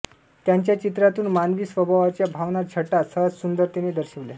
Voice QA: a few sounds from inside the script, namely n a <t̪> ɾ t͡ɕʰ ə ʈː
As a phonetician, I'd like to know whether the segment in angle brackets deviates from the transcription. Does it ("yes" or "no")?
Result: yes